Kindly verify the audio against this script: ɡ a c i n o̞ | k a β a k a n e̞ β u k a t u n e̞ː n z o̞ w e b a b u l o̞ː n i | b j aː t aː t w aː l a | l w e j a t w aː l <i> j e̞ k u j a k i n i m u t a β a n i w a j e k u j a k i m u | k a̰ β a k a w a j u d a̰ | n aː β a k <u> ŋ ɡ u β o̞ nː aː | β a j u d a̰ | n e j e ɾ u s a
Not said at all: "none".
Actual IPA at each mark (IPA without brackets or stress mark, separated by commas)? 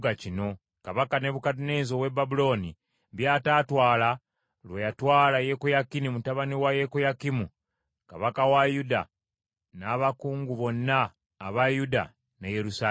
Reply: a, uː